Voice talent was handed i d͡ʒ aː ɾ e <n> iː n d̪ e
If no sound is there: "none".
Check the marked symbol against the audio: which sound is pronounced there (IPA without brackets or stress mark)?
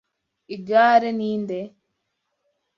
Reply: n